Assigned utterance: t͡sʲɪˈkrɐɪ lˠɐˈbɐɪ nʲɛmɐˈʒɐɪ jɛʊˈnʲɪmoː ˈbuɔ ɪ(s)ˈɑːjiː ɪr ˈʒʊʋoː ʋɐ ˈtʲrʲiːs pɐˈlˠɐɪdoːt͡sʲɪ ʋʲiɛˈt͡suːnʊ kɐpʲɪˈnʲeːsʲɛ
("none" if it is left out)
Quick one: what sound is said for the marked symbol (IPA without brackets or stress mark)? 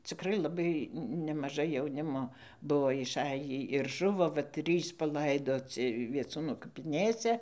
ʃ